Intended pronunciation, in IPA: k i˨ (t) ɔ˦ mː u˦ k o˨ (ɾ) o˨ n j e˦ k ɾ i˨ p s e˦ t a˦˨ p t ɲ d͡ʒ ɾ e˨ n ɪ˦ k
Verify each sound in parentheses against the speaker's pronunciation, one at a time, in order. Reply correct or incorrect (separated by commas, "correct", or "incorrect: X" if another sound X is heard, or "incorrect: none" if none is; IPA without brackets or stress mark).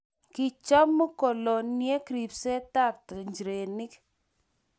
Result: incorrect: t͡ʃ, incorrect: l